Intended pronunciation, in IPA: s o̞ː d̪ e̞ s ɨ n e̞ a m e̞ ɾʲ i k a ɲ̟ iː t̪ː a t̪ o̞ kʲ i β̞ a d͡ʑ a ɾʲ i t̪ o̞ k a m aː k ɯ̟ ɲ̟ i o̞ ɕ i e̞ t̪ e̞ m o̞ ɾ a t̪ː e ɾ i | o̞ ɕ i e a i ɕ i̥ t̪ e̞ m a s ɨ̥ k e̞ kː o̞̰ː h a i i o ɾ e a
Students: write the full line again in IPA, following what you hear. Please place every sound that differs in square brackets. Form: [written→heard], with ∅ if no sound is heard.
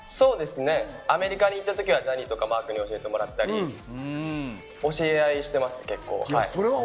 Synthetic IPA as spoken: s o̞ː d̪ e̞ s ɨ n e̞ a m e̞ ɾʲ i k a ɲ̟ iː t̪ː a t̪ o̞ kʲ i β̞ a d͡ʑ a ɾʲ i t̪ o̞ k a m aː k ɯ̟ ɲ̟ i o̞ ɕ i e̞ t̪ e̞ m o̞ ɾ a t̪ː [e→a] ɾ i | o̞ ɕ i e a i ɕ i̥ t̪ e̞ m a s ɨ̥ k e̞ kː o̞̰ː h a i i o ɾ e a